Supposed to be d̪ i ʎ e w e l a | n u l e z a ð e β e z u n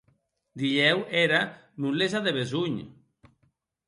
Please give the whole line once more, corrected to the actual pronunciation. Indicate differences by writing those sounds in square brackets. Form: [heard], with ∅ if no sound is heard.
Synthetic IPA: d̪ i ʎ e w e [ɾ] a | n u l e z a ð e β e z u [ɲ]